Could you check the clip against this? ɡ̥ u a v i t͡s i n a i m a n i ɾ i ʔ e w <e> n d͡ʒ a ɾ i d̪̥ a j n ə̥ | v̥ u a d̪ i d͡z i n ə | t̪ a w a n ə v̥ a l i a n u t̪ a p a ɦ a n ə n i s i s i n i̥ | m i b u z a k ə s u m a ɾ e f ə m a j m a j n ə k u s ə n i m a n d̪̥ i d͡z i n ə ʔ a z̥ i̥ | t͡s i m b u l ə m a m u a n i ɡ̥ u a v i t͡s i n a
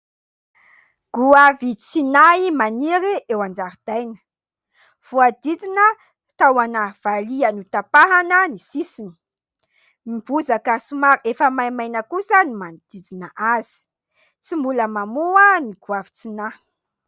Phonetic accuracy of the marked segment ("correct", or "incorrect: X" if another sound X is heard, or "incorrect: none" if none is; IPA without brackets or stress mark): incorrect: a